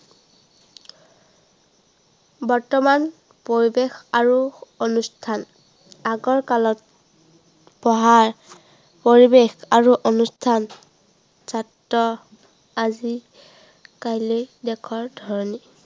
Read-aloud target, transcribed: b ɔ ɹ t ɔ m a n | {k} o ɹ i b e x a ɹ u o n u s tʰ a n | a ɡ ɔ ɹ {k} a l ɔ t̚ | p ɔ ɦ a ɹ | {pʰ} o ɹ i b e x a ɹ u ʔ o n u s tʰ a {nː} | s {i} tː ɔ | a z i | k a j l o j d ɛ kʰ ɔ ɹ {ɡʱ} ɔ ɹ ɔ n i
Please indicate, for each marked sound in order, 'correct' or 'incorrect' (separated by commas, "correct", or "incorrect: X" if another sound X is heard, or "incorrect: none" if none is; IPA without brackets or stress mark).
incorrect: p, correct, incorrect: p, incorrect: n, incorrect: a, incorrect: dʱ